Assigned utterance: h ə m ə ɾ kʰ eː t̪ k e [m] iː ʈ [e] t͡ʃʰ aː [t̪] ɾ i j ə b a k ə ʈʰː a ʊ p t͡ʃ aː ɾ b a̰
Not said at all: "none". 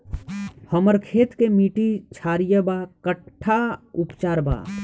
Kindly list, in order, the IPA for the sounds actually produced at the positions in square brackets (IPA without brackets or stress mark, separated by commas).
m, i, none